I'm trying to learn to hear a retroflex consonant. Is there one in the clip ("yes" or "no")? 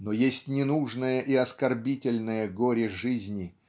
yes